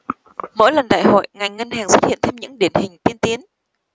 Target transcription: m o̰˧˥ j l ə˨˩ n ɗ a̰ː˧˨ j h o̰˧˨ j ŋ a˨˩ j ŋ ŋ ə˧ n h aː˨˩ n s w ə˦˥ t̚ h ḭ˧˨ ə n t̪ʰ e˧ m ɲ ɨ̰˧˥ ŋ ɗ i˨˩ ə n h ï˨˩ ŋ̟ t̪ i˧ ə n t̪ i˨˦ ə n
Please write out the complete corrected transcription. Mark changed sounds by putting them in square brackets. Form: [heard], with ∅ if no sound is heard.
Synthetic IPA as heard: m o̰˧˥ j l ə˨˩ n ɗ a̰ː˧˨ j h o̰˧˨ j ŋ a˨˩ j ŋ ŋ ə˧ n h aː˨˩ [ŋ] s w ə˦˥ t̚ h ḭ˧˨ ə n t̪ʰ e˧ m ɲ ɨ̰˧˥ ŋ ɗ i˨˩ ə n h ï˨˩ ŋ̟ t̪ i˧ ə n t̪ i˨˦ ə n